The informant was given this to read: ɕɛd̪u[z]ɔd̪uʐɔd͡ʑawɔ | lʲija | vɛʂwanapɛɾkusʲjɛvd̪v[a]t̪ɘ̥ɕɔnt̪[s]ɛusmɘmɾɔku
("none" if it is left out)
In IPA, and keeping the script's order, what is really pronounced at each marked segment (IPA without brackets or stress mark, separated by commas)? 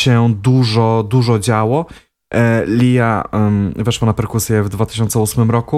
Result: ʐ, a, s